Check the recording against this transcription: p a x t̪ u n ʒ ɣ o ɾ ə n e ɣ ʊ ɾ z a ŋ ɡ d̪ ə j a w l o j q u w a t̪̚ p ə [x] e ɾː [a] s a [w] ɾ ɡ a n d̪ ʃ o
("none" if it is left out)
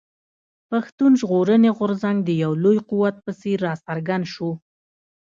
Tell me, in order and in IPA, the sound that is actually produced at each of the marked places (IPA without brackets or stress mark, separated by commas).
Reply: s, ɑ, none